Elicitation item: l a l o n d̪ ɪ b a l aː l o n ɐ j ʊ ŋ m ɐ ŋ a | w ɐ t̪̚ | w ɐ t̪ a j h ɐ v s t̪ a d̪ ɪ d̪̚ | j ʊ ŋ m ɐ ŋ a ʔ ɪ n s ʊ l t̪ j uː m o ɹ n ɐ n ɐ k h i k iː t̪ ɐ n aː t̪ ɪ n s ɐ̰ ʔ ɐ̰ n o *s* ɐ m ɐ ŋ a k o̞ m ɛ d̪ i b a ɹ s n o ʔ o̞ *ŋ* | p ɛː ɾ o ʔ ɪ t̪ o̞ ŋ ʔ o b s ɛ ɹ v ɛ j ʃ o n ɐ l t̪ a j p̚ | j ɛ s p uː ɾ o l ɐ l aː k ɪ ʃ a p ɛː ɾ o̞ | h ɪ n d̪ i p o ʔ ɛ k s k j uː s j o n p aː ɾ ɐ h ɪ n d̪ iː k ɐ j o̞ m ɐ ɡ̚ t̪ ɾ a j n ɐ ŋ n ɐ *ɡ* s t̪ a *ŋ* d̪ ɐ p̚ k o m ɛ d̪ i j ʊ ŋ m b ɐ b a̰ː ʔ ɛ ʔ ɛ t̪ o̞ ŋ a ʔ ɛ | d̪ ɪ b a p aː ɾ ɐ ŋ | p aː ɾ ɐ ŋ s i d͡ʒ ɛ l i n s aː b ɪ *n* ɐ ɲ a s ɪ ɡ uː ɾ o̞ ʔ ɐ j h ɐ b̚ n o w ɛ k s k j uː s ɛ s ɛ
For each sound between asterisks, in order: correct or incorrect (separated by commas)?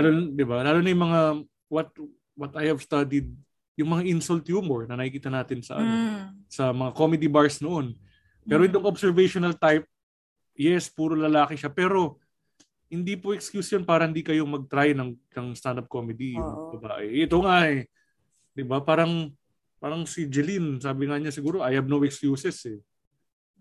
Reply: correct, incorrect, incorrect, incorrect, incorrect